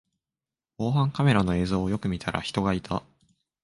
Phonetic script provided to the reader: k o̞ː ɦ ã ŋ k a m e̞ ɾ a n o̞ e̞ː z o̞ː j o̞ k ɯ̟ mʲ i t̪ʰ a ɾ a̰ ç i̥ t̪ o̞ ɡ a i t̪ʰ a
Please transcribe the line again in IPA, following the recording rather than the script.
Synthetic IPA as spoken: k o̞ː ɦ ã ŋ k a m e̞ ɾ a n o̞ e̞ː z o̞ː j o̞ k ɯ̟ mʲ i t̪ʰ a ɾ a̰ ç i̥ t̪ o̞ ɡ a i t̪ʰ a